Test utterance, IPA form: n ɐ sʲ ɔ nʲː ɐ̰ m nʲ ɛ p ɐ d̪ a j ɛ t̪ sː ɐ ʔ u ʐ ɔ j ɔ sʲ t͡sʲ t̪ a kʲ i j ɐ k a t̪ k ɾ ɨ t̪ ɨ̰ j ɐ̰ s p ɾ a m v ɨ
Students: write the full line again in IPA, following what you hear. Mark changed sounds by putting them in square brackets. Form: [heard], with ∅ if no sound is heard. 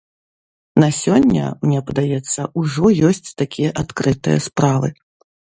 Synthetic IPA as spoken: n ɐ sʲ ɔ nʲː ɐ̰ m nʲ ɛ p ɐ d̪ a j ɛ t̪ sː ɐ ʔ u ʐ ɔ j ɔ sʲ t͡sʲ t̪ a kʲ i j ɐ [ʔ] a t̪ k ɾ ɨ t̪ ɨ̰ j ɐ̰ s p ɾ a [∅] v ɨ